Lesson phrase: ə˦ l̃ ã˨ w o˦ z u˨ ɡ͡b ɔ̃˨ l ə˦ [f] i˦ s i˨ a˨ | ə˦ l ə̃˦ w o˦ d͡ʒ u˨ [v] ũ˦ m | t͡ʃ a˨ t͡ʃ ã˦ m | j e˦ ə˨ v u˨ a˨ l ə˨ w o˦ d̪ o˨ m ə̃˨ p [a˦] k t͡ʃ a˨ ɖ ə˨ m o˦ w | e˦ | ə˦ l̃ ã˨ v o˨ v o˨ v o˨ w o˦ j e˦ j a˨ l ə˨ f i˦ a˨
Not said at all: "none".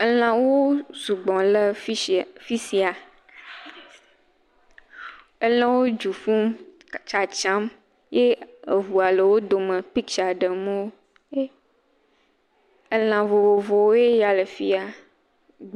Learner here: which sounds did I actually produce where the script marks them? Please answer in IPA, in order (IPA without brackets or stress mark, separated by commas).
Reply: f, f, i˦